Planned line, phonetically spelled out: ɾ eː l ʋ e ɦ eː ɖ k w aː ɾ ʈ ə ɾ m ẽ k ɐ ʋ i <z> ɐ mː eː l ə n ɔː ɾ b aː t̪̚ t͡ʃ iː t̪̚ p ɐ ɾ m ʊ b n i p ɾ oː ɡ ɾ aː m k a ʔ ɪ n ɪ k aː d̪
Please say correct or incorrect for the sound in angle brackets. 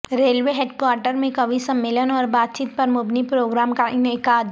incorrect